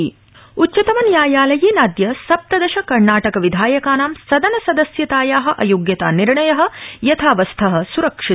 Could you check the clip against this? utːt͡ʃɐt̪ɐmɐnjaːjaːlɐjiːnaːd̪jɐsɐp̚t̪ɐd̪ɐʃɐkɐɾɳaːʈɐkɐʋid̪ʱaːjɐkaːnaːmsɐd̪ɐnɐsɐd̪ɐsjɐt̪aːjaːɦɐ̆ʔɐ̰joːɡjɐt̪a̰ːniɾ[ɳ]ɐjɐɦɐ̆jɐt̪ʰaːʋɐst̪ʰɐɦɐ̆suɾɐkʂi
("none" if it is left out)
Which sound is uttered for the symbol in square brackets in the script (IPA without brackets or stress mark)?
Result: ɳ